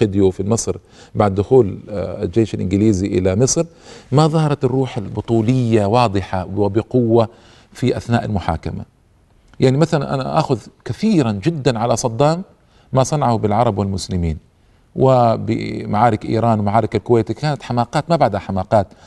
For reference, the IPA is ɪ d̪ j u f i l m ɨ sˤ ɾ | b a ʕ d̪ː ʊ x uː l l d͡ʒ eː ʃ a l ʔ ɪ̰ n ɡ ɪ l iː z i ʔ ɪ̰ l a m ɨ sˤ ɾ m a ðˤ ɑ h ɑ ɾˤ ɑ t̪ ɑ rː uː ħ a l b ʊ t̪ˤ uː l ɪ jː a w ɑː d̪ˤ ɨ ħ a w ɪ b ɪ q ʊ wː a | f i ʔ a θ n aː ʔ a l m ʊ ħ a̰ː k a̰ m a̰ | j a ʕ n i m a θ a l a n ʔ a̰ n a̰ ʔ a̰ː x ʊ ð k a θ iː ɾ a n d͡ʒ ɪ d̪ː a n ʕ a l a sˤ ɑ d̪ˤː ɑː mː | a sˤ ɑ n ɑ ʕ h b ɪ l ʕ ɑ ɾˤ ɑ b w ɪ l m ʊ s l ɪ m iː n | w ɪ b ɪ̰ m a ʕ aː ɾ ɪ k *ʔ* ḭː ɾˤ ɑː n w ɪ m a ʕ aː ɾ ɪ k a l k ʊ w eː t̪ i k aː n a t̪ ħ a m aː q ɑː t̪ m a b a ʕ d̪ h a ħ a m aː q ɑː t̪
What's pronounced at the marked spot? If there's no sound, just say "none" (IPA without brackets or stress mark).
ʔ